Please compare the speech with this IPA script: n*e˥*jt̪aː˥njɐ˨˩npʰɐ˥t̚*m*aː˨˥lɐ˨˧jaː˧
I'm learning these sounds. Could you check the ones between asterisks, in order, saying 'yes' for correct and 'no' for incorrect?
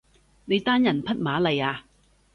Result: no, yes

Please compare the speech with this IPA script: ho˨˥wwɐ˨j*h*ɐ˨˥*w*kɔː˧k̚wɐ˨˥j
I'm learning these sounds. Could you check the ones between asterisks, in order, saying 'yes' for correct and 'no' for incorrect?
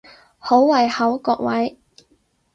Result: yes, yes

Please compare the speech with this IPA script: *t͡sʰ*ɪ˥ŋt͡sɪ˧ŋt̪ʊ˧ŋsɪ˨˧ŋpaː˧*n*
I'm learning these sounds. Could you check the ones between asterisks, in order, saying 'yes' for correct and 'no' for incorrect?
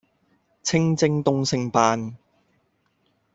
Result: yes, yes

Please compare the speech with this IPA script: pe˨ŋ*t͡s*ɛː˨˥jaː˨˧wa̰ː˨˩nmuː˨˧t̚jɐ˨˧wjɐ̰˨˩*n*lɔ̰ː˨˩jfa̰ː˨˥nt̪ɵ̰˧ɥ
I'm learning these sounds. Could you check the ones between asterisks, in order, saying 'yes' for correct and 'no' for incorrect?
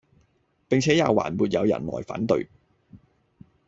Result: no, yes

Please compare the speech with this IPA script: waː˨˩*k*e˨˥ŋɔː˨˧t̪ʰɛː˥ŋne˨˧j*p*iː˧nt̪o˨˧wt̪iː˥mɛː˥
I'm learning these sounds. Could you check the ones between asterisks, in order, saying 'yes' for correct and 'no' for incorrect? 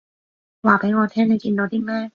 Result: no, no

